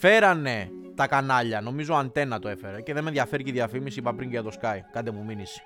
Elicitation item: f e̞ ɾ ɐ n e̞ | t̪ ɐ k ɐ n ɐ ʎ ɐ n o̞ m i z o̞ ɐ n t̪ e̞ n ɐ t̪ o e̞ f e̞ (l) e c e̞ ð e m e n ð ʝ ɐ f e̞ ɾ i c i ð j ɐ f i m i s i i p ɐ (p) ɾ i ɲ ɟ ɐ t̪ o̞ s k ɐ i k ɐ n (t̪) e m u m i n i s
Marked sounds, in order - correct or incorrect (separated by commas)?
incorrect, correct, incorrect